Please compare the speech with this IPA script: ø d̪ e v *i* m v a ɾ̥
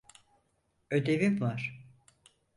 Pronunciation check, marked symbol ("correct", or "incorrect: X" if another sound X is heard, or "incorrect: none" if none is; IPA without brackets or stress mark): correct